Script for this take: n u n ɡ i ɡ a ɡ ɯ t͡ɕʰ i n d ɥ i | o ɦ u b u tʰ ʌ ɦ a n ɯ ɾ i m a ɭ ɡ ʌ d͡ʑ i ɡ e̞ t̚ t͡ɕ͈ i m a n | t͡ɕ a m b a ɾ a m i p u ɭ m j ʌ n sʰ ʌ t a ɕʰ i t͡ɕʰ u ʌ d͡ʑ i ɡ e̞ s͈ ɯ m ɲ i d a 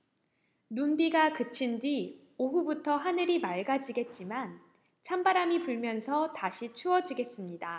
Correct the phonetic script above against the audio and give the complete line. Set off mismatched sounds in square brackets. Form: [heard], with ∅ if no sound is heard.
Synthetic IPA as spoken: n u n [b] i ɡ a [k] ɯ t͡ɕʰ i n d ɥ i | o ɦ u b u tʰ ʌ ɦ a n ɯ ɾ i m a ɭ ɡ [a] d͡ʑ i ɡ e̞ t̚ t͡ɕ͈ i m a n | [t͡ɕʰ] a m b a ɾ a m i p u ɭ m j ʌ n sʰ ʌ t a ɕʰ i t͡ɕʰ u ʌ d͡ʑ i ɡ e̞ s͈ ɯ m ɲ i d a